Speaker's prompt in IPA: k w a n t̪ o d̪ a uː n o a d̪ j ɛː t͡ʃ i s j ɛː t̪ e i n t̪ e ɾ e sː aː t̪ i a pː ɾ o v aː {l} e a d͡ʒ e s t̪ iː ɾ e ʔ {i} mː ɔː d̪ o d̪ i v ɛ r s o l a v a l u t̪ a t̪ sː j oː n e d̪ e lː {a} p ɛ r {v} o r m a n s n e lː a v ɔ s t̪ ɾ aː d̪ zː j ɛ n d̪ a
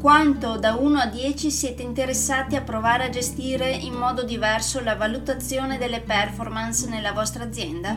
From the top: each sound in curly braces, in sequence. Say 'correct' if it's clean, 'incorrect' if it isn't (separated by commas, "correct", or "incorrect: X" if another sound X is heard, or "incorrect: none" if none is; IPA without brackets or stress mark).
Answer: incorrect: ɾ, correct, incorrect: e, incorrect: f